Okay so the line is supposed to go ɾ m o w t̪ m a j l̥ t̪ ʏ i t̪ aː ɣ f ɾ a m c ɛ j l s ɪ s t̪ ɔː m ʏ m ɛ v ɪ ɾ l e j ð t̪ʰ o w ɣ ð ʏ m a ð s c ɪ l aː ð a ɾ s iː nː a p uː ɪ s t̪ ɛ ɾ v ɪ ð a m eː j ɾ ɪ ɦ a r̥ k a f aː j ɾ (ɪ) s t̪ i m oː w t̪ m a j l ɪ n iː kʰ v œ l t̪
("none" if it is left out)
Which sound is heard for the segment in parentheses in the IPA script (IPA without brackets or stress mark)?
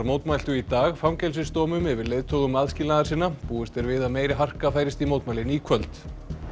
ɪ